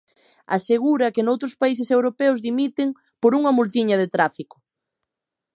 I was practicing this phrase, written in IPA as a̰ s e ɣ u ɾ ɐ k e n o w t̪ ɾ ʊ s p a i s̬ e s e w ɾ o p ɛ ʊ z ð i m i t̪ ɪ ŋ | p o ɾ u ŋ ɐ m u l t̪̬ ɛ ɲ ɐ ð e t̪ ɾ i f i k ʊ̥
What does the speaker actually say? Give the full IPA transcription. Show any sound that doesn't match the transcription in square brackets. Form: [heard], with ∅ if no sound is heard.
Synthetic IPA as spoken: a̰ s e ɣ u ɾ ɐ k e n o w t̪ ɾ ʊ s p a i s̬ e s e w ɾ o p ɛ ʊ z ð i m i t̪ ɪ ŋ | p o ɾ u ŋ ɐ m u l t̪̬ [i] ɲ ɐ ð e t̪ ɾ [a] f i k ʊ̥